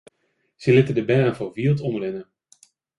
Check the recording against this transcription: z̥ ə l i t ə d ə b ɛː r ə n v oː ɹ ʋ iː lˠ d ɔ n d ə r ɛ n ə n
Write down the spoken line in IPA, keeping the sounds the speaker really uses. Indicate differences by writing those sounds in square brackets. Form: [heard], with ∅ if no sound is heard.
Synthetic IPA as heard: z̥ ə l [ɪ] t ə d ə b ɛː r ə n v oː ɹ ʋ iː lˠ [t] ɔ n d ə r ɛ n ə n